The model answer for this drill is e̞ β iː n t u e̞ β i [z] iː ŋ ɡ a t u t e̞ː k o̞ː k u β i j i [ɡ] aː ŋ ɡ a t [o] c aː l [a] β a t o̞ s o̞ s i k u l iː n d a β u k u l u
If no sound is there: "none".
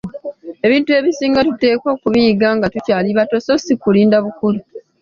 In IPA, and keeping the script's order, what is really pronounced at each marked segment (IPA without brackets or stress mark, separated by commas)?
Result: s, ɡ, u, i